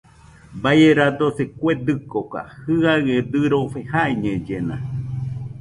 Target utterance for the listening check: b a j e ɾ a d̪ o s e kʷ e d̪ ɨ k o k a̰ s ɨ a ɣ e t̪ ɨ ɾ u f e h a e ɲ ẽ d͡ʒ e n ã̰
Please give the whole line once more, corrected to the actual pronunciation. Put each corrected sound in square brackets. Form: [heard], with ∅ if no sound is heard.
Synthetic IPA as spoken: b a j e ɾ a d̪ o s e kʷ e d̪ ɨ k o k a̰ [h] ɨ a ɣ e [d̪] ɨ ɾ [o] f e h a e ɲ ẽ d͡ʒ e n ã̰